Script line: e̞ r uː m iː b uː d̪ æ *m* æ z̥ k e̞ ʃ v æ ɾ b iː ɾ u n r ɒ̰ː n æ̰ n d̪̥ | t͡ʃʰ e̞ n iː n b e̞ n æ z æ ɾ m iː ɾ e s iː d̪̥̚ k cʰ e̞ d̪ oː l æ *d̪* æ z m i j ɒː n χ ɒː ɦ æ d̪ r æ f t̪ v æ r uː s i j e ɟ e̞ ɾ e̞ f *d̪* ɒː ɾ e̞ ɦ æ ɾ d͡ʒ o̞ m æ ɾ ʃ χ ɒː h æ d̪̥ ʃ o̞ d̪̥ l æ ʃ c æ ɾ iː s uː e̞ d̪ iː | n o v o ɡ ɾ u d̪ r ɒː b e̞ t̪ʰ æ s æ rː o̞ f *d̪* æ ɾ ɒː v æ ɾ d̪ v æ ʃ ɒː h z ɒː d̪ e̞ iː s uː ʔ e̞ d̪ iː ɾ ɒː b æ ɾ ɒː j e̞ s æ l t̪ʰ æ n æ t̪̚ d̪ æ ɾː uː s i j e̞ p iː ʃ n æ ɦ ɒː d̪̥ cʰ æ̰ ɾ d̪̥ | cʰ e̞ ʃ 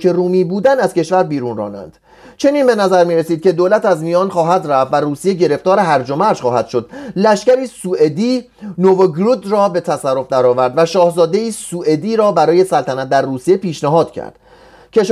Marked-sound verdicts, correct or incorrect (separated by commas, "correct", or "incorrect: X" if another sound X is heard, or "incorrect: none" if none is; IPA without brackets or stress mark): incorrect: n, incorrect: t̪, incorrect: t̪, correct